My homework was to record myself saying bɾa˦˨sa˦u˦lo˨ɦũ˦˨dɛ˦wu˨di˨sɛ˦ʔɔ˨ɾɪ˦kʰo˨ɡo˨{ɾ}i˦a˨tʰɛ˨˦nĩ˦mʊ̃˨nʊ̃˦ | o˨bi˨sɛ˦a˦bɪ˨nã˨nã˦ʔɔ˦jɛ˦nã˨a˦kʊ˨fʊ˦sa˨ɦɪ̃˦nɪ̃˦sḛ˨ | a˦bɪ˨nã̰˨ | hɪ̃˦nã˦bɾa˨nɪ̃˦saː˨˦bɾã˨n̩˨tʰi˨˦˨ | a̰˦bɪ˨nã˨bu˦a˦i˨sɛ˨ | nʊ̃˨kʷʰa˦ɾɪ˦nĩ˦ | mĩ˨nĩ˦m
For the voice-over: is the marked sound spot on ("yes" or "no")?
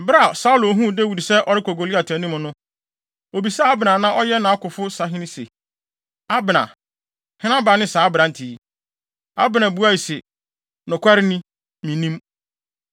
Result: no